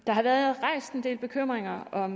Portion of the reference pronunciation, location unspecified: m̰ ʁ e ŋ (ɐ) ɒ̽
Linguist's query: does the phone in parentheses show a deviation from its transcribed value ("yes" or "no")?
no